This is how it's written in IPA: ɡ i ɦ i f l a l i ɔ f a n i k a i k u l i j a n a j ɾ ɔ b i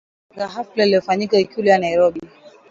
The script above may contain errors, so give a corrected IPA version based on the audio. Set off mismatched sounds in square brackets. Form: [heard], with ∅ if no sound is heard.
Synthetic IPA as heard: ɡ [a] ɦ [a] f l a l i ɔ f a [ɲ] i k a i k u l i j a n a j ɾ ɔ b i

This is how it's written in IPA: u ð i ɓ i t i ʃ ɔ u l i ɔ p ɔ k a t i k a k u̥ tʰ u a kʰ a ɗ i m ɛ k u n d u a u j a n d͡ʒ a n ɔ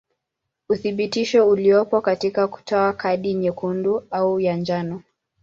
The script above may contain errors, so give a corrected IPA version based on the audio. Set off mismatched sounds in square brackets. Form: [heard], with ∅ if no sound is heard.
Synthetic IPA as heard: u [θ] i ɓ i t i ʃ ɔ u l i ɔ p ɔ k a t i k a k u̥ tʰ [ɔ] a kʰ a ɗ i [ɲ] ɛ k u n d u a u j a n d͡ʒ a n ɔ

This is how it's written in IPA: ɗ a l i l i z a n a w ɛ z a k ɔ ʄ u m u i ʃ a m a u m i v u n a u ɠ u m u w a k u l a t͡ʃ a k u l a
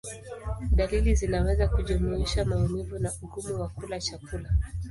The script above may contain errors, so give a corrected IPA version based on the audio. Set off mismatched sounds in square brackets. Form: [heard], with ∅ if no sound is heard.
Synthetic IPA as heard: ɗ a l i l i z [i] n a w ɛ z a k [u] ʄ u m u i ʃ a m a u m i v u n a u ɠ u m u w a k u l a t͡ʃ a k u l a

